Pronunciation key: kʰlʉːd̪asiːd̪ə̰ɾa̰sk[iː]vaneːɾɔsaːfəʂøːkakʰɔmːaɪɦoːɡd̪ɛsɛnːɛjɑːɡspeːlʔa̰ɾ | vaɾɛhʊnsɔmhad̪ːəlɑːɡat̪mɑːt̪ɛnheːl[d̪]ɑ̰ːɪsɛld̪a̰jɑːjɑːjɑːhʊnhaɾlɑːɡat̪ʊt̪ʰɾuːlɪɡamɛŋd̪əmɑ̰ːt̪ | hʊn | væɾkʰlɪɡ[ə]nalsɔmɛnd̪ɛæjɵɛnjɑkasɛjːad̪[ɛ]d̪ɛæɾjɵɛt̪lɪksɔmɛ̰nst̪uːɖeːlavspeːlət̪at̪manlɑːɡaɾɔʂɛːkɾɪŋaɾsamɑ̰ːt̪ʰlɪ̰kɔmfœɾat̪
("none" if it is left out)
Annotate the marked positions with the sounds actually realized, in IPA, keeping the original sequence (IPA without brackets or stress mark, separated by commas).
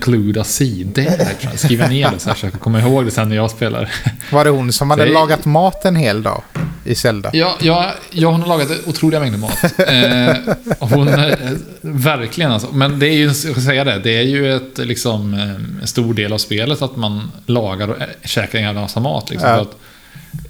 iː, d̪, ə, ɛ